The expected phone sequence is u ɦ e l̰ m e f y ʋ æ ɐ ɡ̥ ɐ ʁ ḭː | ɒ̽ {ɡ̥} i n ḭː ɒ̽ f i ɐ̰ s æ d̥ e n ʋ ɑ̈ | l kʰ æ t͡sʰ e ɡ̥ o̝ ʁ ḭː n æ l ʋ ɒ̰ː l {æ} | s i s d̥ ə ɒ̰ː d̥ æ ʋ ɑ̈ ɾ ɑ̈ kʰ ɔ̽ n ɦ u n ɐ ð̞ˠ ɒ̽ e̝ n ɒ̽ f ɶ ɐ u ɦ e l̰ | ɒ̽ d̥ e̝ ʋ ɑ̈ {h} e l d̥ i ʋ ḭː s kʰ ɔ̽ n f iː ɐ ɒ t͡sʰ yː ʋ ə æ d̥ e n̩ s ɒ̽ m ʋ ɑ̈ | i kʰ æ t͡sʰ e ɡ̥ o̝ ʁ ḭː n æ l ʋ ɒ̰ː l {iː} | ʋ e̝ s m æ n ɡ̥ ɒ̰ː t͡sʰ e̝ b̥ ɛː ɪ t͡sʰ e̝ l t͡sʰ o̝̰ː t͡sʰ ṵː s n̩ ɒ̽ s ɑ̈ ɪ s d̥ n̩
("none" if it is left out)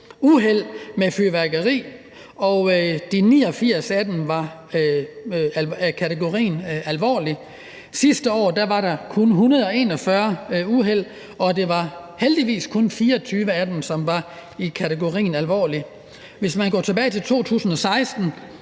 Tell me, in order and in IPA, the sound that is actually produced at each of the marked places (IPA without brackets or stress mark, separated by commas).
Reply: d̥, i, h, i